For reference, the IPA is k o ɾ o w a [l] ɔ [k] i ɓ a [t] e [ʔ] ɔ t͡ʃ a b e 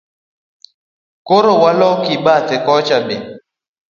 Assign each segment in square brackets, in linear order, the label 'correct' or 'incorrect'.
correct, correct, correct, incorrect

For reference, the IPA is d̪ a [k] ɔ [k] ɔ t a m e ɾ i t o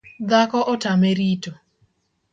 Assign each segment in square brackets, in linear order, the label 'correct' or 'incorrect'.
correct, incorrect

